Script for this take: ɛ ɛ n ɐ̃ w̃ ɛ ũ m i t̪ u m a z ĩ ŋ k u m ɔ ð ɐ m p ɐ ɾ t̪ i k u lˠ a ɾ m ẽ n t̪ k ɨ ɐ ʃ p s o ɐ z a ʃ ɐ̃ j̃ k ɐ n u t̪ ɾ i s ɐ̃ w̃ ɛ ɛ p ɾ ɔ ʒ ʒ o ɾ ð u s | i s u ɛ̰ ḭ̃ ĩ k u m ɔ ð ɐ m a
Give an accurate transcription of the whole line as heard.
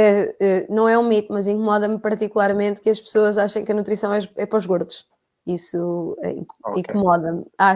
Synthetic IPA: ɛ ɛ n ɐ̃ w̃ ɛ ũ m i t̪ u m ɐ z ĩ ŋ k u m ɔ ð ɐ m p ɐ ɾ t̪ i k u lˠ a ɾ m ẽ n t̪ k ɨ ɐ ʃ p s o ɐ z a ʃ ɐ̃ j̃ k ɐ n u t̪ ɾ i s ɐ̃ w̃ ɛ ɛ p ɾ ɔ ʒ ɣ o ɾ ð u ʃ | i s u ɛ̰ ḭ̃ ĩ k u m ɔ ð ɐ m a